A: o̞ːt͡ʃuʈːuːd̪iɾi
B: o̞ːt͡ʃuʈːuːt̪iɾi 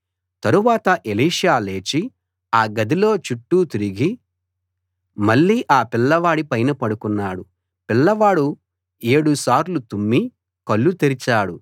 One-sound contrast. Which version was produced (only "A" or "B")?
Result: B